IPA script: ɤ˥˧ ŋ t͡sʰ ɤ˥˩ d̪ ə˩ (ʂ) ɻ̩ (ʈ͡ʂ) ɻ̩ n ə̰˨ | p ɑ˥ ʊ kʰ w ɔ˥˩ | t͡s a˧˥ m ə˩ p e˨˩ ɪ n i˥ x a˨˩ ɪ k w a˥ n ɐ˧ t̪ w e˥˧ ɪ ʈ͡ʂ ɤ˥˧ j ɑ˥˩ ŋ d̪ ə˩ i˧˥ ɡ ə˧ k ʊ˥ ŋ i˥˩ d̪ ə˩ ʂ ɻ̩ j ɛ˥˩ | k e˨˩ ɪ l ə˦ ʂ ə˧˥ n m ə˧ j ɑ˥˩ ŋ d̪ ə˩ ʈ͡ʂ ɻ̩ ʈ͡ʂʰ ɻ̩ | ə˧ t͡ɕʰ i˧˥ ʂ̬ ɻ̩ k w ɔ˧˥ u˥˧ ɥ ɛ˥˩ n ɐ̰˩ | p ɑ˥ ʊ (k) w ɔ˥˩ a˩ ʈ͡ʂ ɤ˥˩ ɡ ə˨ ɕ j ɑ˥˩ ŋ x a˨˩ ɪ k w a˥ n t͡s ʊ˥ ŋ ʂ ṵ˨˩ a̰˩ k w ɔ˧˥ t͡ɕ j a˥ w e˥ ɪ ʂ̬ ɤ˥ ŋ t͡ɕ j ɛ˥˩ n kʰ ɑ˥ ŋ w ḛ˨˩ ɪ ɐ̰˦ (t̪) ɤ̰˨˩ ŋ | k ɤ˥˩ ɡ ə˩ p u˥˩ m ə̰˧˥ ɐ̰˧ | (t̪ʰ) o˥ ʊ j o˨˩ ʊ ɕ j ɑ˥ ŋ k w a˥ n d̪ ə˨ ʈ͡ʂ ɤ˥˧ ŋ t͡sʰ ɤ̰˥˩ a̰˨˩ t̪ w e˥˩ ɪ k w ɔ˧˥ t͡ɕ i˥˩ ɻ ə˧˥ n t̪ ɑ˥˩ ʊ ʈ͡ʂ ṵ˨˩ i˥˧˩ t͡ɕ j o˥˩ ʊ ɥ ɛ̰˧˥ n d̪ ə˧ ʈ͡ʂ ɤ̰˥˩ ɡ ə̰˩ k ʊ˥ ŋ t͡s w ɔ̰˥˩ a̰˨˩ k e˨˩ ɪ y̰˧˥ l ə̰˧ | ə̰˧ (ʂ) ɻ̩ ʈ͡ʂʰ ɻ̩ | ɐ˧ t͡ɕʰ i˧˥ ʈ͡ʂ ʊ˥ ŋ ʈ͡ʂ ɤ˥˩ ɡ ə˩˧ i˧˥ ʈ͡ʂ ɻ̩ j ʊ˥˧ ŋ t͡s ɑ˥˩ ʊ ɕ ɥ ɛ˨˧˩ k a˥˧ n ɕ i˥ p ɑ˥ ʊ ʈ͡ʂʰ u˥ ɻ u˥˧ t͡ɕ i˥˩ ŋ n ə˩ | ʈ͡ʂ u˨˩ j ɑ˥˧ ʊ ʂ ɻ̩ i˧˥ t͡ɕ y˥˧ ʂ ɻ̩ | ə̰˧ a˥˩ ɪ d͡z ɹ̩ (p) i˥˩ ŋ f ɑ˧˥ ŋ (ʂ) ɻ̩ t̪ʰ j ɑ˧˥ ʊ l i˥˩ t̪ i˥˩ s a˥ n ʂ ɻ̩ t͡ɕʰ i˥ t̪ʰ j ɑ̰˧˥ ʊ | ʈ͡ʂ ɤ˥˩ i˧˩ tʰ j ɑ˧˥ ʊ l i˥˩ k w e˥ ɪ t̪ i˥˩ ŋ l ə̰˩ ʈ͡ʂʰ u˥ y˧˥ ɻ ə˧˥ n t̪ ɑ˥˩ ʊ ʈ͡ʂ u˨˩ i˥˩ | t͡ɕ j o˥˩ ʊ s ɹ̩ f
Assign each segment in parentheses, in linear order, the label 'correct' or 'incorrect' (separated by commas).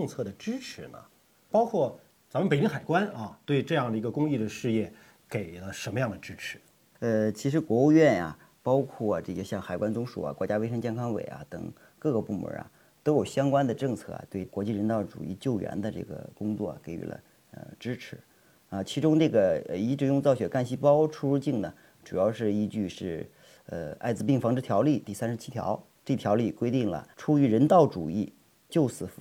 incorrect, incorrect, incorrect, correct, incorrect, incorrect, correct, incorrect